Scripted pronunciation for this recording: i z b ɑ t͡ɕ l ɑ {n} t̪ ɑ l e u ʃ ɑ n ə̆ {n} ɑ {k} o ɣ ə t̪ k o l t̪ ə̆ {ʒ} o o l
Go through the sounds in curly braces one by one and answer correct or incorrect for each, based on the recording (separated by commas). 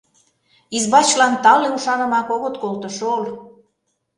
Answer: correct, incorrect, correct, incorrect